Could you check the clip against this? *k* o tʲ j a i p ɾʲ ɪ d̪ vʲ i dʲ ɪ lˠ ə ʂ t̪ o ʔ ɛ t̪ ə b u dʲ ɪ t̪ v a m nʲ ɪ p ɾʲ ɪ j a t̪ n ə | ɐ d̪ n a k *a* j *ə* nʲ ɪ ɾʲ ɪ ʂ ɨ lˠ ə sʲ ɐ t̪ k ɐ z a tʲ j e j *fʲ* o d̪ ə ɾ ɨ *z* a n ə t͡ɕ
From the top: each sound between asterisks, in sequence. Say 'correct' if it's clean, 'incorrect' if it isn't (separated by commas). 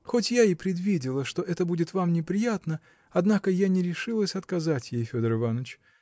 incorrect, incorrect, incorrect, correct, incorrect